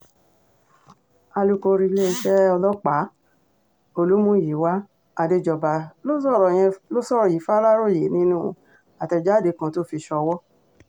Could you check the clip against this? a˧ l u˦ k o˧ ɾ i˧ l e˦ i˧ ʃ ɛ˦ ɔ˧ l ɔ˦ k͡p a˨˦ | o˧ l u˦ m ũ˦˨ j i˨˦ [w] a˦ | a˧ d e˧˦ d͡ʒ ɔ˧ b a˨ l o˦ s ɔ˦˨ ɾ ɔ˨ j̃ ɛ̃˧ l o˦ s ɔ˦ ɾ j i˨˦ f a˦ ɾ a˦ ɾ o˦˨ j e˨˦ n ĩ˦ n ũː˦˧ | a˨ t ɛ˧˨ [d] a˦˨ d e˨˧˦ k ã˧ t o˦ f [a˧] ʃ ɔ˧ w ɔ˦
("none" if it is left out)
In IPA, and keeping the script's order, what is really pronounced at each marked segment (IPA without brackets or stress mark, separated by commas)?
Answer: w, d͡ʒ, i˧